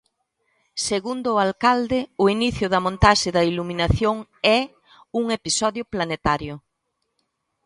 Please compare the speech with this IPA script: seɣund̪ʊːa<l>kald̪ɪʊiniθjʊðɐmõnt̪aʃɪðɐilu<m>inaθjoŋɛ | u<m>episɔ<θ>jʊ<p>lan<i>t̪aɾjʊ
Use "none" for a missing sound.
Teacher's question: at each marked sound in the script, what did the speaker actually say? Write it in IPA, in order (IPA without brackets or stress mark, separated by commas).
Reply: l, m, ŋ, ð, p, e